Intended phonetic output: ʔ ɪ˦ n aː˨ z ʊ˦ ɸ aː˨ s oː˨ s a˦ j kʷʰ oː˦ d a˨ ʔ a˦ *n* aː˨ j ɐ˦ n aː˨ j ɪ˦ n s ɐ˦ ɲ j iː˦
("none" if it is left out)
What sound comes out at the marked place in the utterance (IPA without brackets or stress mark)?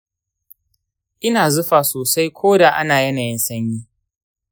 n